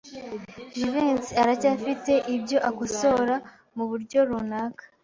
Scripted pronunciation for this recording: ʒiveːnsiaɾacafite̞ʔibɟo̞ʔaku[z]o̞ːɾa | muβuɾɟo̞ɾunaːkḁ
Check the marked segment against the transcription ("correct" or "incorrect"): incorrect